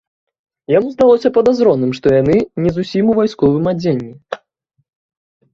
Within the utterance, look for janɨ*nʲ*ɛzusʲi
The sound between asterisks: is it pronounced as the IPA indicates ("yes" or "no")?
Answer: yes